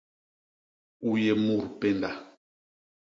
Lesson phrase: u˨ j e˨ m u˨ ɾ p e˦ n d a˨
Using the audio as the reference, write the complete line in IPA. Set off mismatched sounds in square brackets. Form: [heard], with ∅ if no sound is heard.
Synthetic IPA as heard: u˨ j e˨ m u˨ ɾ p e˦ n d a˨

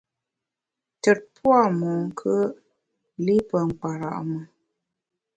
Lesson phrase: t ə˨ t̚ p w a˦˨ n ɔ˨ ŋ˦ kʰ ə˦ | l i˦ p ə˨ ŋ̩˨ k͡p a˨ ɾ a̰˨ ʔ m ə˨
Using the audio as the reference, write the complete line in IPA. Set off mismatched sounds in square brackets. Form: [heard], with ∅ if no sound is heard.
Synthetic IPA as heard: t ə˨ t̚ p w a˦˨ [m] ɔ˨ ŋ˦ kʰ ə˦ | l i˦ p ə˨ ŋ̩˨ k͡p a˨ ɾ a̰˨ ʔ m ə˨

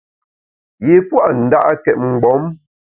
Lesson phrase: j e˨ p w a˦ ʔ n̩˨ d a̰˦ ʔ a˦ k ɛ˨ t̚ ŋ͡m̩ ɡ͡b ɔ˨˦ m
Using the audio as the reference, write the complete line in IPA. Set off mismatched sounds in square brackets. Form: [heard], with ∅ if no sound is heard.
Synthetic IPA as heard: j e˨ p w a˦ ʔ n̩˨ d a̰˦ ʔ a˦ k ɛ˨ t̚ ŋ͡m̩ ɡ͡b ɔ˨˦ m

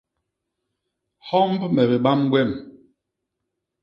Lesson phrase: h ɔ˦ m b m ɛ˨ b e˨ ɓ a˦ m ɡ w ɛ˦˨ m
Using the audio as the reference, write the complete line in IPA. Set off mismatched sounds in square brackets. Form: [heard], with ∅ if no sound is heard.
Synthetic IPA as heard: h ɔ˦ m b m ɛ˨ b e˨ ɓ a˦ m ɡ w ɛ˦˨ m

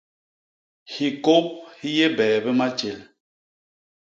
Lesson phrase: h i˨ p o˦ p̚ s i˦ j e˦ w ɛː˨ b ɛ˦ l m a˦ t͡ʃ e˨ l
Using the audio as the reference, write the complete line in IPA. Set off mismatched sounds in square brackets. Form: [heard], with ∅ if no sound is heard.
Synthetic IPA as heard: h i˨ [k] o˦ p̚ [h] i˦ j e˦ [b] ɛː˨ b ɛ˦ [∅] m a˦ t͡ʃ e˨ l

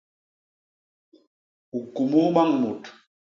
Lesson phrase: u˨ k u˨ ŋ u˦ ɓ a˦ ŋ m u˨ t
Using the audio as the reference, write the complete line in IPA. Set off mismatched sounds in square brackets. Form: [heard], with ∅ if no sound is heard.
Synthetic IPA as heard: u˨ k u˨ [m] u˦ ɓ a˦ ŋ m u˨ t

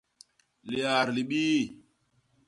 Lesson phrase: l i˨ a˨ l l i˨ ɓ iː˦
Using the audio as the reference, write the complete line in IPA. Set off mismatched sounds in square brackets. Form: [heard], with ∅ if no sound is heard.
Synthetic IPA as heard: l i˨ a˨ [ɾ] l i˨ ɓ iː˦

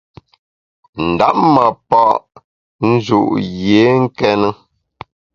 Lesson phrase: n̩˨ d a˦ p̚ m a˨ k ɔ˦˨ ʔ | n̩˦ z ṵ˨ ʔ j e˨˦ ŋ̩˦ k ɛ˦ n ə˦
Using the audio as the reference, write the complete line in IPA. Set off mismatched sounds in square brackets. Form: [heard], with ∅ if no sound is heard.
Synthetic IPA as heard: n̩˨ d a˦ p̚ m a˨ [p] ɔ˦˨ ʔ | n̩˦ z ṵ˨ ʔ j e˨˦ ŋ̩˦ k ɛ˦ n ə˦

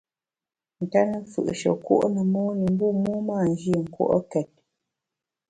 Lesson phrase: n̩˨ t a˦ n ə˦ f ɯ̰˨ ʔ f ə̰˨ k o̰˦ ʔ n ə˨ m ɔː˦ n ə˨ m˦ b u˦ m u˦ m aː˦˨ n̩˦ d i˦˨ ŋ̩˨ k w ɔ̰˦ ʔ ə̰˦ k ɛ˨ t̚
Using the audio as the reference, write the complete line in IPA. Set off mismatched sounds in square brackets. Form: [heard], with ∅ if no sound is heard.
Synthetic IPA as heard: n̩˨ t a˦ n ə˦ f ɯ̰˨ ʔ [ʃ] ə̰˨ k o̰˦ ʔ n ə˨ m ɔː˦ n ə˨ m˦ b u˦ m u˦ m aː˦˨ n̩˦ [d͡ʒ] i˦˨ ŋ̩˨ k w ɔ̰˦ ʔ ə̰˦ k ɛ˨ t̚

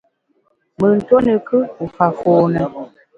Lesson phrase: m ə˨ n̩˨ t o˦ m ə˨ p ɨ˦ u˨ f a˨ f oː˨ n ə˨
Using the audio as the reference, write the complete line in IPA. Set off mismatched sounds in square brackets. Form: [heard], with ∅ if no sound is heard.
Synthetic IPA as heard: m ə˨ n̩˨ t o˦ [n] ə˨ [k] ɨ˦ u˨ f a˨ f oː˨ n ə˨

